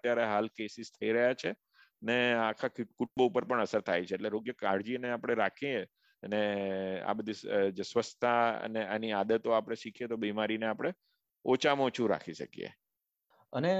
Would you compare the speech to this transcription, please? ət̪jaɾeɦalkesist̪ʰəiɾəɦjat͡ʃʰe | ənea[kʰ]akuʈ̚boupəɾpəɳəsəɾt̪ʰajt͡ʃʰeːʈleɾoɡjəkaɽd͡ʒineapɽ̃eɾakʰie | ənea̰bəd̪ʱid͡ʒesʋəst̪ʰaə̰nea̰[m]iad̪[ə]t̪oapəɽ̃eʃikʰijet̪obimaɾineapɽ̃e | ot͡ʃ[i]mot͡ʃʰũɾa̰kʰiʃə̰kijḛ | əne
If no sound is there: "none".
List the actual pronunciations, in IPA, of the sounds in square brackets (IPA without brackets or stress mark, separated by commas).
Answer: kʰ, n, ə, a